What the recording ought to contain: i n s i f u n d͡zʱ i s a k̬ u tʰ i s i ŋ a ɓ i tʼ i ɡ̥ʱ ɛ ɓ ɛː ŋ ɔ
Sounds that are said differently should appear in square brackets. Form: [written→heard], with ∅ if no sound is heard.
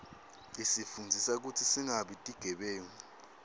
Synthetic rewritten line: i [n→∅] s i f u n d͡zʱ i s a k̬ u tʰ i s i ŋ a ɓ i tʼ i ɡ̥ʱ ɛ ɓ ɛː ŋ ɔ